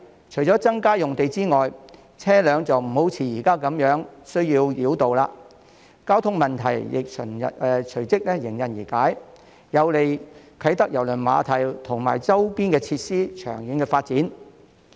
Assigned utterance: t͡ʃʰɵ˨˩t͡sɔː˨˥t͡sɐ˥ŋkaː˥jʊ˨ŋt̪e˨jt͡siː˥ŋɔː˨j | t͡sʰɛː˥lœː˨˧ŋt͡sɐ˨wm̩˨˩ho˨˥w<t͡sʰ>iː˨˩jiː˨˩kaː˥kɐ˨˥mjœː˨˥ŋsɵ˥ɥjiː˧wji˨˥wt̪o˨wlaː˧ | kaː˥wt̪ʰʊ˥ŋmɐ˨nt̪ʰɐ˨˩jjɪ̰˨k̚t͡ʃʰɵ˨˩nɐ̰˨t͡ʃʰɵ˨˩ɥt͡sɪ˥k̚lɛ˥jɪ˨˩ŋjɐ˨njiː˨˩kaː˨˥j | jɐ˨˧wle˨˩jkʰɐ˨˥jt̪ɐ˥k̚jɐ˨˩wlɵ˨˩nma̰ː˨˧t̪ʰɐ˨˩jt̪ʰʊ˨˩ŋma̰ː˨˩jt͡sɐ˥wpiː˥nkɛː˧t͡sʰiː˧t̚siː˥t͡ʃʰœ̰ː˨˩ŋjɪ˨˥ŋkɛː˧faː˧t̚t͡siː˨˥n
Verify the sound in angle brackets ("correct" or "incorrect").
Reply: correct